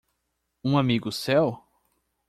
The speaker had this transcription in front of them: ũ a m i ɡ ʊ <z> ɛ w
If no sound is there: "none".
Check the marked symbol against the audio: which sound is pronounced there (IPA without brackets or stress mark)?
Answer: s